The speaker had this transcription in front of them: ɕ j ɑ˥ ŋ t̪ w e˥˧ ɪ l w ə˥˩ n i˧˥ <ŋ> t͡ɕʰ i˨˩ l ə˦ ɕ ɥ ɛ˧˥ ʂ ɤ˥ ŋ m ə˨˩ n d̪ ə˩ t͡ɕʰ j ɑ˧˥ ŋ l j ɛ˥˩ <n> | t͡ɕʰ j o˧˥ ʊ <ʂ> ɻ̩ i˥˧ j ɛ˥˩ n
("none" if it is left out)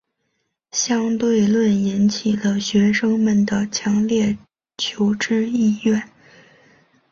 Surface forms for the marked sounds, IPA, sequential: n, none, ʈ͡ʂ

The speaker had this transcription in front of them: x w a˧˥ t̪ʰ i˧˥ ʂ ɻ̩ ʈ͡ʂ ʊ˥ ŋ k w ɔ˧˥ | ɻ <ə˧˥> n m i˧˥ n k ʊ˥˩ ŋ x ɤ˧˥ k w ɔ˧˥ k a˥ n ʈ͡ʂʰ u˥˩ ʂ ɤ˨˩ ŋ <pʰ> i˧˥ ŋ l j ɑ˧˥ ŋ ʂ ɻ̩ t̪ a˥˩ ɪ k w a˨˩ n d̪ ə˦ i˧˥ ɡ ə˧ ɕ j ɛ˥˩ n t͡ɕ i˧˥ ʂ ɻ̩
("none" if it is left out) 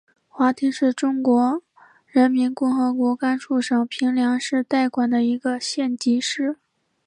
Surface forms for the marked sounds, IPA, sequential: ə˧˥, pʰ

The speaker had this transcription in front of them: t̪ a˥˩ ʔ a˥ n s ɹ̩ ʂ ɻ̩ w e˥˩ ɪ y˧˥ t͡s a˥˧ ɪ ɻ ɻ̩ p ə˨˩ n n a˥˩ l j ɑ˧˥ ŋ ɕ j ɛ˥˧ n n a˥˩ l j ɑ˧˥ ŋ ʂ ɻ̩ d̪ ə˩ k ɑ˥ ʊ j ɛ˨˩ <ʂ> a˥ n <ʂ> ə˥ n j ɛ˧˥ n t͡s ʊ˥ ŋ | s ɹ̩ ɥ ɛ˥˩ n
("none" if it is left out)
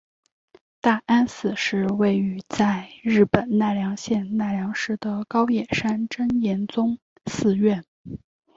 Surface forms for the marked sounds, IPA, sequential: ʂ, ʈ͡ʂ

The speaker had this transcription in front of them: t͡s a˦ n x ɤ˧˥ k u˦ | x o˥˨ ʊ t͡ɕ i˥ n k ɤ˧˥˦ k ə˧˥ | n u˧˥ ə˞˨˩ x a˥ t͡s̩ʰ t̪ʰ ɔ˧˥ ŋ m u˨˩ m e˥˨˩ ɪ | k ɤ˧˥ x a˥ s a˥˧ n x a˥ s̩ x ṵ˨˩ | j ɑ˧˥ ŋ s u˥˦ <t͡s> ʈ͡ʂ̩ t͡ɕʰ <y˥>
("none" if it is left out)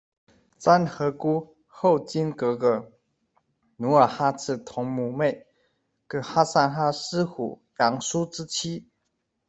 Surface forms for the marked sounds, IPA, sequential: none, i˥

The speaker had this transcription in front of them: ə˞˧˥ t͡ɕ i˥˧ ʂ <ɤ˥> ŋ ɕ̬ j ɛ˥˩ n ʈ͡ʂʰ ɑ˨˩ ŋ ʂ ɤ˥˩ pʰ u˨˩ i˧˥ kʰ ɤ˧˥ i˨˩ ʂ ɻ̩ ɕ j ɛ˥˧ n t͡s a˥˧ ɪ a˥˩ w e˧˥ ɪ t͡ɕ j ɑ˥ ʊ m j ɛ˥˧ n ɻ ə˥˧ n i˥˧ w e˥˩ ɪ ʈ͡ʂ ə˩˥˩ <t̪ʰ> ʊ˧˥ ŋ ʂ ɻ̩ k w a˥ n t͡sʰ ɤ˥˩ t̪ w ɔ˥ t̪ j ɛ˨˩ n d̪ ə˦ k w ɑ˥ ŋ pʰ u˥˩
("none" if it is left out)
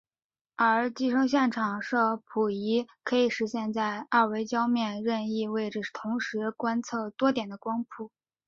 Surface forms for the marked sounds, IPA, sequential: ɤ˥, t̪ʰ

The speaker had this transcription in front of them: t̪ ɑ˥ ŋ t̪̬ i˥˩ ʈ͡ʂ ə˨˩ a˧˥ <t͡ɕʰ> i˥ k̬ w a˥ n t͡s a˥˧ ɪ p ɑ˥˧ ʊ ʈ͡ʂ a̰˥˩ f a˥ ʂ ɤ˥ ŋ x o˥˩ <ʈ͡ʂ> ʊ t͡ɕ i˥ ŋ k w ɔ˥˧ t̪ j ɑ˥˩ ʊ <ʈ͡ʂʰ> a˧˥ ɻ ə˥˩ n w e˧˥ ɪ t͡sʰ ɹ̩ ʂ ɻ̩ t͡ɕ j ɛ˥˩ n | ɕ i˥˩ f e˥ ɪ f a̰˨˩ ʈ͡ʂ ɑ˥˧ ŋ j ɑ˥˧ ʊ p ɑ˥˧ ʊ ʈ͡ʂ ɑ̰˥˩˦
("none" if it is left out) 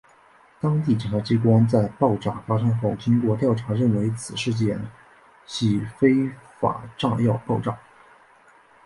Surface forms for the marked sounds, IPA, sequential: t͡ɕ, none, ʈ͡ʂʰ

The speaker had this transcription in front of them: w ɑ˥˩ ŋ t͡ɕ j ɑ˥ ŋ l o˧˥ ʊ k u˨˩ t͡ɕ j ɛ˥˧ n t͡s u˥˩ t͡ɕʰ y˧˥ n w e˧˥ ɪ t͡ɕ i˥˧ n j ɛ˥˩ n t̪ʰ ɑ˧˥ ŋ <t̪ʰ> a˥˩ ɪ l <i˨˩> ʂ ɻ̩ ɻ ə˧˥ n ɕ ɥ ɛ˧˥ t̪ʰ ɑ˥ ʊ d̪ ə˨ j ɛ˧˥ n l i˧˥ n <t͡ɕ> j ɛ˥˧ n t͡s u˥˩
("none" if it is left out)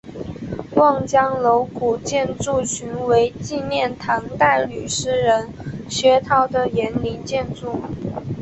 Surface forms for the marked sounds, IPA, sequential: t̪, y˨˩, t͡ɕ

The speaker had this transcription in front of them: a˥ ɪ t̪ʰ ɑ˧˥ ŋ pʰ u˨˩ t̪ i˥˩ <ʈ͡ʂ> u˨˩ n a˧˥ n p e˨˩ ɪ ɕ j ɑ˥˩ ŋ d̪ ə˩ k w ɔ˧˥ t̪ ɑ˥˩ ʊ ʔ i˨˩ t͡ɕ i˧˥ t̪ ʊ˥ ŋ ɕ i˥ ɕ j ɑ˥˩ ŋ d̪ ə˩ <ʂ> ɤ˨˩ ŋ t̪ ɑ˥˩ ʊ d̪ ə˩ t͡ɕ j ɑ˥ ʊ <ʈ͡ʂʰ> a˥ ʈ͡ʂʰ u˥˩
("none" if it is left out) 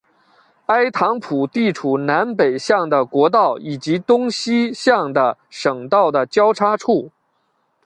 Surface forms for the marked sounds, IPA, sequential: ʈ͡ʂʰ, ʂ, ʈ͡ʂʰ

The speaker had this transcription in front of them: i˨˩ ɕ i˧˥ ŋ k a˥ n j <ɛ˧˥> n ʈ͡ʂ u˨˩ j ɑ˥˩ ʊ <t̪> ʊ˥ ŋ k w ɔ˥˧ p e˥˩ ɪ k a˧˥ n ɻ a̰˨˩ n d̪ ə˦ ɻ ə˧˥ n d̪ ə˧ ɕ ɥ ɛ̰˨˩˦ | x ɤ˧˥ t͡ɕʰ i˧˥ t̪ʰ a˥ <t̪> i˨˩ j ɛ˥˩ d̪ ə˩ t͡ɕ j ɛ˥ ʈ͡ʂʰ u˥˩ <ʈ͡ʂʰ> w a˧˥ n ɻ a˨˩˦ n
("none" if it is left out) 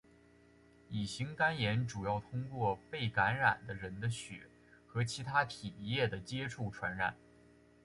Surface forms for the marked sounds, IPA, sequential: ɛ˧˥, t̪ʰ, t̪ʰ, ʈ͡ʂʰ

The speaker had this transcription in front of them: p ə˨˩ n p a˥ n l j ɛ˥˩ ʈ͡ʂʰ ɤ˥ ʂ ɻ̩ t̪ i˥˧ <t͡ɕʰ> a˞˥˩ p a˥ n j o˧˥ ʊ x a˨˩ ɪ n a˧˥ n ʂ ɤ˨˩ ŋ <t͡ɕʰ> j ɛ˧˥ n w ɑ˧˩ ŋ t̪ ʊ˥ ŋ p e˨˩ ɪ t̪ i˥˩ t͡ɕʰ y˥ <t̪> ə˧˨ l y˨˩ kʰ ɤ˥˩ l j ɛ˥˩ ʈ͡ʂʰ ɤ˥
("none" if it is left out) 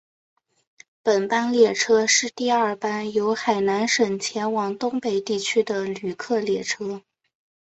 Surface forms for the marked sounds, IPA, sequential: none, t͡ɕʰ, d̪

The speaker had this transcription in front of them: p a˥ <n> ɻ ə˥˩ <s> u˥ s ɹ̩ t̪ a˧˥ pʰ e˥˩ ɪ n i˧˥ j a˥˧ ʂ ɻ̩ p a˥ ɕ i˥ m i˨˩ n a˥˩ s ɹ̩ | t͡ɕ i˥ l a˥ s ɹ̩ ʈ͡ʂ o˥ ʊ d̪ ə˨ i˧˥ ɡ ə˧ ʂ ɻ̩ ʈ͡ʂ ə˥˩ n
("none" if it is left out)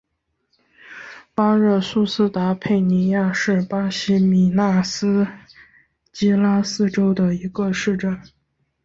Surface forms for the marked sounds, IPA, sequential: none, s

